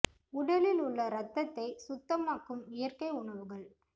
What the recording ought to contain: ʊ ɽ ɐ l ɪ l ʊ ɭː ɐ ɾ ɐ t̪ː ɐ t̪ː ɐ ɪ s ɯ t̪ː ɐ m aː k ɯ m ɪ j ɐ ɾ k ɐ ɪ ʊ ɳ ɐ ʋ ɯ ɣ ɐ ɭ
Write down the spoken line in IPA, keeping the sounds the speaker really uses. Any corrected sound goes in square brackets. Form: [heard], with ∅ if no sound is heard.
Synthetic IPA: ʊ ɽ ɐ l ɪ l ʊ ɭː ɐ ɾ ɐ t̪ː ɐ t̪ː ɐ ɪ s [ʊ] t̪ː ɐ m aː k ɯ m ɪ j ɐ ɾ k ɐ ɪ ʊ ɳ ɐ ʋ ɯ ɣ ɐ ɭ

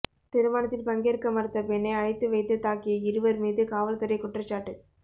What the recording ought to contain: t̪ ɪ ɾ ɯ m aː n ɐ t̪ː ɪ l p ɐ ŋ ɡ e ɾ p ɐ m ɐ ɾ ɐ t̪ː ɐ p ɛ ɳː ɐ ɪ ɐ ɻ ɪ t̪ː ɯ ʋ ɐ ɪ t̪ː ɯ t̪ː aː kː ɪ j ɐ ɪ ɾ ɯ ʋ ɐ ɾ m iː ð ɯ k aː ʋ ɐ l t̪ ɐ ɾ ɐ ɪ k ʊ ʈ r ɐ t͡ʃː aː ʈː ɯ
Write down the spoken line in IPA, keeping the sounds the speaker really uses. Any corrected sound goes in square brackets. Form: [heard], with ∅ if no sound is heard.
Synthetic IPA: t̪ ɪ ɾ ɯ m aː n ɐ t̪ː ɪ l p ɐ ŋ ɡ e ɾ [k] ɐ m ɐ ɾ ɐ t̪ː ɐ p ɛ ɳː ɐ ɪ ɐ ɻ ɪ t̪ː ɯ ʋ ɐ ɪ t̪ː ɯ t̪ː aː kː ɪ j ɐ ɪ ɾ ɯ ʋ ɐ ɾ m iː ð ɯ k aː ʋ ɐ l t̪ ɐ ɾ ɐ ɪ k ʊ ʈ r ɐ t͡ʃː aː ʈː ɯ

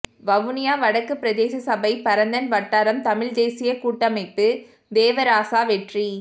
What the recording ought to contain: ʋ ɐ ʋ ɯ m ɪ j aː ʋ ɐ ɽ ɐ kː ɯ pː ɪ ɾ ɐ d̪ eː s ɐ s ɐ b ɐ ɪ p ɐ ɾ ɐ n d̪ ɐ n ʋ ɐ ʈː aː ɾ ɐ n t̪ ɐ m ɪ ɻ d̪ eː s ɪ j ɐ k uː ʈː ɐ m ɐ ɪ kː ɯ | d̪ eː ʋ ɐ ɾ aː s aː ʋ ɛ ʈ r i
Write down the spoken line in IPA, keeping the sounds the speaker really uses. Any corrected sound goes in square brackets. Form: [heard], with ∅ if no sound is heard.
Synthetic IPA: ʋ ɐ ʋ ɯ [n] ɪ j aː ʋ ɐ ɽ ɐ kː ɯ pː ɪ ɾ ɐ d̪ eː s ɐ s ɐ b ɐ ɪ p ɐ ɾ ɐ n d̪ ɐ n ʋ ɐ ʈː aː ɾ ɐ [m] t̪ ɐ m ɪ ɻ d̪ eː s ɪ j ɐ k uː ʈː ɐ m ɐ ɪ [pː] ɯ | d̪ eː ʋ ɐ ɾ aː s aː ʋ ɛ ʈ r i

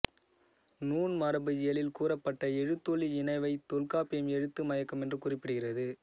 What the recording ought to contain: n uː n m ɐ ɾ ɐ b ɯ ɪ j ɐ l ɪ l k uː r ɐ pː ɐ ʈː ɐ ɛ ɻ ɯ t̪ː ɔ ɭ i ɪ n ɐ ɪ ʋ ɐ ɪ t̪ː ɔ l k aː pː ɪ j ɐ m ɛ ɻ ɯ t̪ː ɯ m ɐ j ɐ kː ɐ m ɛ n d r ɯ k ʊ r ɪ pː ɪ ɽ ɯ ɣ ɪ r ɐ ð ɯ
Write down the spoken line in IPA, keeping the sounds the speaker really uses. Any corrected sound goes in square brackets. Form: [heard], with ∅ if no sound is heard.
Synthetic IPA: n uː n m ɐ ɾ ɐ b ɯ ɪ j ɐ l ɪ l k uː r ɐ pː ɐ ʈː ɐ ɛ ɻ ɯ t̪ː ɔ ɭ i ɪ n ɐ ɪ ʋ ɐ ɪ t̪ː ɔ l k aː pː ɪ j ɐ m ɛ ɻ ɯ t̪ː ɯ m ɐ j ɐ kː ɐ m ɛ n d r ɯ k ʊ r ɪ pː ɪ ɽ ɯ ɣ ɪ r ɐ ð ɯ

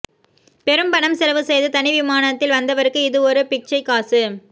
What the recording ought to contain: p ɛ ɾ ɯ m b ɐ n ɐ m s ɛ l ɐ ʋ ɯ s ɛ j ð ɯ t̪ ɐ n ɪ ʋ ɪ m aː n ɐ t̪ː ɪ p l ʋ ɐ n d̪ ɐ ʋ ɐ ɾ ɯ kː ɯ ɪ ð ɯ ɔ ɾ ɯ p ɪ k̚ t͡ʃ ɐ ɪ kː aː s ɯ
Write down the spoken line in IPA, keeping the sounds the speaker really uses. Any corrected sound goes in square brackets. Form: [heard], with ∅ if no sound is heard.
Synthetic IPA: p ɛ ɾ ɯ m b ɐ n ɐ m s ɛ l ɐ ʋ ɯ s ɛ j ð ɯ t̪ ɐ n ɪ ʋ ɪ m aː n ɐ t̪ː ɪ [∅] l ʋ ɐ n d̪ ɐ ʋ ɐ ɾ ɯ kː ɯ ɪ ð ɯ ɔ ɾ ɯ p ɪ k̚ t͡ʃ ɐ ɪ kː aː s ɯ

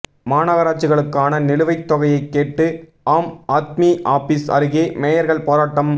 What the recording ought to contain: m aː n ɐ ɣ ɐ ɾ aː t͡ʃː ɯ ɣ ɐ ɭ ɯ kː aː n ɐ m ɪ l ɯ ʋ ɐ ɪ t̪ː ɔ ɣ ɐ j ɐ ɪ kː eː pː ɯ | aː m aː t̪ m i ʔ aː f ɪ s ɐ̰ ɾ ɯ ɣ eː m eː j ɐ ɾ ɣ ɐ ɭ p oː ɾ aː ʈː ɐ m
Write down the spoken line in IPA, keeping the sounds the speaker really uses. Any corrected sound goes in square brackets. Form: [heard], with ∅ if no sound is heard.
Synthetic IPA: m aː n ɐ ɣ ɐ ɾ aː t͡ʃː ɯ ɣ ɐ ɭ ɯ kː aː n ɐ [n] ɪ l ɯ ʋ ɐ ɪ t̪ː ɔ ɣ ɐ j ɐ ɪ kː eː [ʈː] ɯ | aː m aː t̪ m i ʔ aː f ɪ s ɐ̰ ɾ ɯ ɣ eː m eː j ɐ ɾ ɣ ɐ ɭ p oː ɾ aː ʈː ɐ m

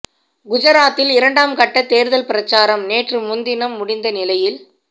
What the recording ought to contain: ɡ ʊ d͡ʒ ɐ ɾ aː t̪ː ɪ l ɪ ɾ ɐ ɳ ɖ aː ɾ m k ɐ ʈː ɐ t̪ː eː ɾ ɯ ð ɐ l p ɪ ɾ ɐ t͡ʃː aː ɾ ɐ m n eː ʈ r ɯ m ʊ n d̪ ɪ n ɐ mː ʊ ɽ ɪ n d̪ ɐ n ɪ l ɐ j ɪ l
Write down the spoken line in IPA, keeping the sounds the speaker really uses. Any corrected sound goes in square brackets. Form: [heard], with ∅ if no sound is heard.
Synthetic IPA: ɡ ʊ d͡ʒ ɐ ɾ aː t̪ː ɪ l ɪ ɾ ɐ ɳ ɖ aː [∅] m k ɐ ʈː ɐ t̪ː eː ɾ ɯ ð ɐ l p ɪ ɾ ɐ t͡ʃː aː ɾ ɐ m n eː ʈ r ɯ m ʊ n d̪ ɪ n ɐ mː ʊ ɽ ɪ n d̪ ɐ n ɪ l ɐ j ɪ l

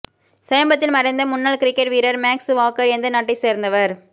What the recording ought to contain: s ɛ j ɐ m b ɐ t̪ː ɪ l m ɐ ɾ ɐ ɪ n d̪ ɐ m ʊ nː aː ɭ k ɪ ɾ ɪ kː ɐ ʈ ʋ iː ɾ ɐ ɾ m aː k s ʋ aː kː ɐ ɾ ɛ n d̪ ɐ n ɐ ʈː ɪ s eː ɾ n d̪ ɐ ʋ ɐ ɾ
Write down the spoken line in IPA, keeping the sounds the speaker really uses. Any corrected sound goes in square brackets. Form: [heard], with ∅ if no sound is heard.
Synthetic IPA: s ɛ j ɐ m b ɐ t̪ː ɪ l m ɐ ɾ ɐ ɪ n d̪ ɐ m ʊ nː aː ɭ k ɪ ɾ ɪ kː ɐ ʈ ʋ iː ɾ ɐ ɾ m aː k s ʋ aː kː ɐ ɾ ɛ n d̪ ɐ n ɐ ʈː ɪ s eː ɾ n d̪ ɐ ʋ ɐ ɾ

